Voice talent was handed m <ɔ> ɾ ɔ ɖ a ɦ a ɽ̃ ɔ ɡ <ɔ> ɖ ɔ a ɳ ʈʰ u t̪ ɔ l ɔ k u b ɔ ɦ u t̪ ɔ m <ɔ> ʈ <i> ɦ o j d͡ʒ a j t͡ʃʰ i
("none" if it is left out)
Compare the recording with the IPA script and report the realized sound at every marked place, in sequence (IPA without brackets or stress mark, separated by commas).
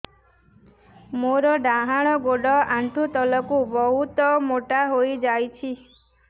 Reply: o, o, o, a